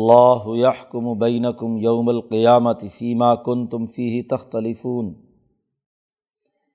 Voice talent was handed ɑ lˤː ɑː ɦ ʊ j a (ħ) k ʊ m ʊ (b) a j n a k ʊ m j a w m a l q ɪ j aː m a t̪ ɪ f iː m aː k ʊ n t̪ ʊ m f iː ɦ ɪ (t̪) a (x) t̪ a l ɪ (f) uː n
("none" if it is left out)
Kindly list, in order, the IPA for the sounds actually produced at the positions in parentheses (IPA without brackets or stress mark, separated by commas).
ħ, b, t̪, x, f